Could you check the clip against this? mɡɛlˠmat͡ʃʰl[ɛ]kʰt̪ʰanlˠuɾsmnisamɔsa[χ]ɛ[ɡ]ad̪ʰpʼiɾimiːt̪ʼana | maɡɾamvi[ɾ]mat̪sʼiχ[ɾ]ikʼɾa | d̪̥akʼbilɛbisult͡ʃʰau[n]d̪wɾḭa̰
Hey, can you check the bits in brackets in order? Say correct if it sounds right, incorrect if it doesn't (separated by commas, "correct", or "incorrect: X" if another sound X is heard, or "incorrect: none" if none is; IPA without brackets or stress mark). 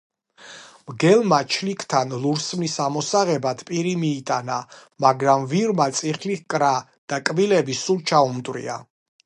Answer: incorrect: i, incorrect: ʁ, incorrect: b, correct, incorrect: l, incorrect: m